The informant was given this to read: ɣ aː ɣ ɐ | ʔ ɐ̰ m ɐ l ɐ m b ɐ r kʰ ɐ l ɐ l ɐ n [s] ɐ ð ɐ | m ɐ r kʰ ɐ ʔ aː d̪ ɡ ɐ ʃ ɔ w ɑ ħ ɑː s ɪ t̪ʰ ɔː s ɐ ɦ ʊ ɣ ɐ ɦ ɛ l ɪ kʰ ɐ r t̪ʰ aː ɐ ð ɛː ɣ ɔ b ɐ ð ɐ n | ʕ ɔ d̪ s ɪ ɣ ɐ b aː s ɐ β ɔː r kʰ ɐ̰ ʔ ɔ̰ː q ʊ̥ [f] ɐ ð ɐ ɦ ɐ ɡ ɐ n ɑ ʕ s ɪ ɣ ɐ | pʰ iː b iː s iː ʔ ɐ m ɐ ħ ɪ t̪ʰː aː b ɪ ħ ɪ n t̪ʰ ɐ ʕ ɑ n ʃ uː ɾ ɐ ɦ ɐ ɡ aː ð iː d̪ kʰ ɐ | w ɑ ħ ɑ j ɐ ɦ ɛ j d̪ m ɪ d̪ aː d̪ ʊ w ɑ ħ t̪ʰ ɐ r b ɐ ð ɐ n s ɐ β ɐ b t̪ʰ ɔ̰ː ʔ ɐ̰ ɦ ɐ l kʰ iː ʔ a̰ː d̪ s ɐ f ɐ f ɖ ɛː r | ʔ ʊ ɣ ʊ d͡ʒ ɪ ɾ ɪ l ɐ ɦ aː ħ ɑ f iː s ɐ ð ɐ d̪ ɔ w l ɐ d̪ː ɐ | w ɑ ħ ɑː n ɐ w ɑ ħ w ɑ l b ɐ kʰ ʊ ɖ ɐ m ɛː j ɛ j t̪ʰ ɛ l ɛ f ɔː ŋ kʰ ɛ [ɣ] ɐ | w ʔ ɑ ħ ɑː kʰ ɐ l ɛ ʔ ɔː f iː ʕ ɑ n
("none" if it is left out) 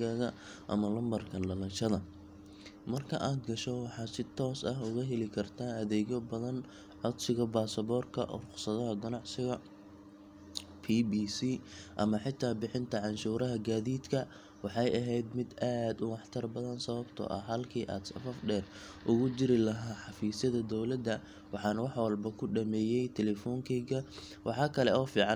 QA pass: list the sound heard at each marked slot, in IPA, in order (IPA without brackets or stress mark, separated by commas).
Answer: ʃ, s, ɣ